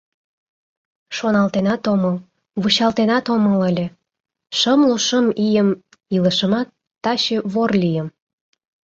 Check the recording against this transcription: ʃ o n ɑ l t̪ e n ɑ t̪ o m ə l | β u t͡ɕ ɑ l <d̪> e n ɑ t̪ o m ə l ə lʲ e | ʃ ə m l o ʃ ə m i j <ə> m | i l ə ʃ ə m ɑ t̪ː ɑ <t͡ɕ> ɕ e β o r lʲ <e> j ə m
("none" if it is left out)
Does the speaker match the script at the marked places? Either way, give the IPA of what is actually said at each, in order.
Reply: t̪, ə, none, i

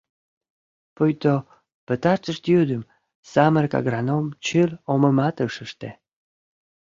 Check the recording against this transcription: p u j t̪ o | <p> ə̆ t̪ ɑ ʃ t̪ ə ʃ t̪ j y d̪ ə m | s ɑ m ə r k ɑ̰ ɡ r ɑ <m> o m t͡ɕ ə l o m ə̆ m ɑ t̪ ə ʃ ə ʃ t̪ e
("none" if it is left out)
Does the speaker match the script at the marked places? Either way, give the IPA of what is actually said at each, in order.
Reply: p, n

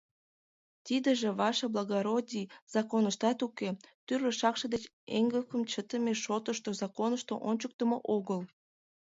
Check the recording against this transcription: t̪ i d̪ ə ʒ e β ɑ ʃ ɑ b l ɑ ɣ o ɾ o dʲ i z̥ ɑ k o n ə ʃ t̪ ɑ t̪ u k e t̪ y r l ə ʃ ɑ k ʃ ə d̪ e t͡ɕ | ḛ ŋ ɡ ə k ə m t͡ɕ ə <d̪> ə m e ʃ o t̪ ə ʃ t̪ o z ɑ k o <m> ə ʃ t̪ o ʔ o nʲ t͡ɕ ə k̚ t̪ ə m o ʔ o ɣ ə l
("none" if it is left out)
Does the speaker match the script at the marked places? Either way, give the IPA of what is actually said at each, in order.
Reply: t̪, n

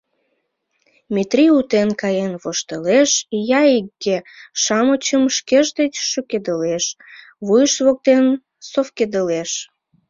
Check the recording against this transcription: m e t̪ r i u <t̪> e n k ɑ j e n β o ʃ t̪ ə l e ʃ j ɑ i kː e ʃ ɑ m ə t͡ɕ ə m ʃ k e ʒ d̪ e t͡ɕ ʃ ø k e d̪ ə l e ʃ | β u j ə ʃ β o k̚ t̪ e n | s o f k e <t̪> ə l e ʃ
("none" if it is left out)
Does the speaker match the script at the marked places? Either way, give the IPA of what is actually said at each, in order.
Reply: t̪, d̪

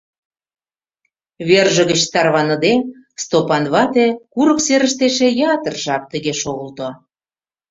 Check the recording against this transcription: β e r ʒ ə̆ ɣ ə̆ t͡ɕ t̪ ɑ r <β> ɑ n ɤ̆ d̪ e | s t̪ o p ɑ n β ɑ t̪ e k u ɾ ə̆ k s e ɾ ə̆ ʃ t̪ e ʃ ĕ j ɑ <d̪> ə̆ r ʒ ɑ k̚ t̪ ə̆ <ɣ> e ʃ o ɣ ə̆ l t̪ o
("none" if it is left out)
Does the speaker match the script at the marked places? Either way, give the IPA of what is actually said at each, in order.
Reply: β, t̪, ɣ

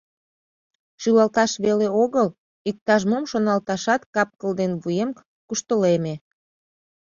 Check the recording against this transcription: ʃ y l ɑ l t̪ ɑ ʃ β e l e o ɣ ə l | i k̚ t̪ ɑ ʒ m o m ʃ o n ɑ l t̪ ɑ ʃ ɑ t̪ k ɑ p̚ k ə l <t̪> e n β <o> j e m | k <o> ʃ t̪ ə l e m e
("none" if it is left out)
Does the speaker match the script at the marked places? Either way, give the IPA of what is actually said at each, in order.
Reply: d̪, u, u

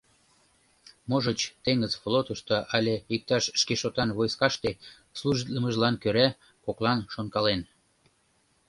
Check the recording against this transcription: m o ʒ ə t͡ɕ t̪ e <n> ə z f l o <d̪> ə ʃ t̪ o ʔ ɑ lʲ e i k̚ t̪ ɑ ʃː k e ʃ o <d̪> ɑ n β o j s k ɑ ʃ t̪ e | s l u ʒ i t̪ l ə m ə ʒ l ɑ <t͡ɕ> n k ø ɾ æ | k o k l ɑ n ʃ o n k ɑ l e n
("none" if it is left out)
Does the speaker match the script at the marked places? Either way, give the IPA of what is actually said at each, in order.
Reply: ŋ, t̪, t̪, none

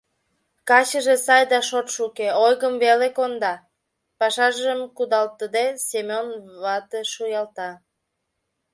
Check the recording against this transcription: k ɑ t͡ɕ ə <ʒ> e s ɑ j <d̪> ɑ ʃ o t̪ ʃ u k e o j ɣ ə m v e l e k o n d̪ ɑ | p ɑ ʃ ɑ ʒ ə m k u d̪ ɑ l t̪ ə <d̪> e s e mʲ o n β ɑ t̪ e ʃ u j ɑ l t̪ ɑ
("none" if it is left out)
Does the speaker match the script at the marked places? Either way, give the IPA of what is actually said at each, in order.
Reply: ʒ, d̪, d̪

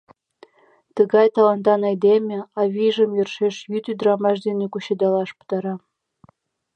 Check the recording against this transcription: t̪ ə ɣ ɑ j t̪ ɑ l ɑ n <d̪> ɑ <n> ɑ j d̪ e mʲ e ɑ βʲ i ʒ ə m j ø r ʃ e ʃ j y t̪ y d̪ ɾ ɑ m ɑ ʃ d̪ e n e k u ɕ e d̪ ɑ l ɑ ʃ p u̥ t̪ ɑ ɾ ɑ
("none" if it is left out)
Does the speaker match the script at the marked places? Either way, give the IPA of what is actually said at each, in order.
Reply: t̪, n

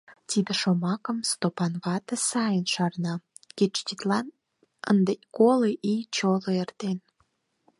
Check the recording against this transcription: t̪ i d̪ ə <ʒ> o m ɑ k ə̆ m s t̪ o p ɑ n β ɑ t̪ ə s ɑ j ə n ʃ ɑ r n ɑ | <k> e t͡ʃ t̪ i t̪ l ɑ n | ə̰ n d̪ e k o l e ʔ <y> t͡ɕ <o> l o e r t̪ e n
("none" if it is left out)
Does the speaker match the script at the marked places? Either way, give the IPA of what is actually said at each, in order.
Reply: ʃ, k, i, o

